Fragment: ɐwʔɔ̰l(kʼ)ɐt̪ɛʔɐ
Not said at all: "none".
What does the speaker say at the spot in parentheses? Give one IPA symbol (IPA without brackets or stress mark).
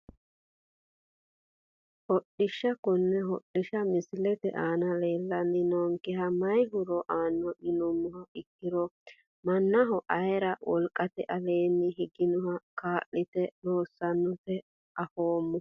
kʼ